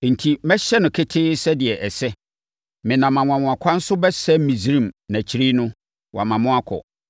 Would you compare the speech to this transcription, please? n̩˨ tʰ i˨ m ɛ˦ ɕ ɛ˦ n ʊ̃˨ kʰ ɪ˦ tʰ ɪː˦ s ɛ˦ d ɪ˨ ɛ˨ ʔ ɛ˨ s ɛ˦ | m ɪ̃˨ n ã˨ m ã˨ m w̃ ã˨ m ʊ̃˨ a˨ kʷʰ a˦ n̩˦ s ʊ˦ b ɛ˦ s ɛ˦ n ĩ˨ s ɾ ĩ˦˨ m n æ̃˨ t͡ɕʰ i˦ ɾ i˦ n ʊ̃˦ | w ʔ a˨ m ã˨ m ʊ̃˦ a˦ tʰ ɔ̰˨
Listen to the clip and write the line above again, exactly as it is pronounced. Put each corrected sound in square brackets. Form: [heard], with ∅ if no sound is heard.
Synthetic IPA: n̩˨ tʰ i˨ m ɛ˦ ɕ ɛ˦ n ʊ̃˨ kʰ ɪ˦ tʰ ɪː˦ s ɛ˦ d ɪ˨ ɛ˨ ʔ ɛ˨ s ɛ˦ | m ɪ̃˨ n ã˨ m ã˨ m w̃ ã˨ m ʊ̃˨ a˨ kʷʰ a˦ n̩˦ s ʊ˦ b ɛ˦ s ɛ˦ [m] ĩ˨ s ɾ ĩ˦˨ m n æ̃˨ t͡ɕʰ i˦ ɾ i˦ n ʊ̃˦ | w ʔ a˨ m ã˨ m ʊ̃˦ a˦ [kʰ] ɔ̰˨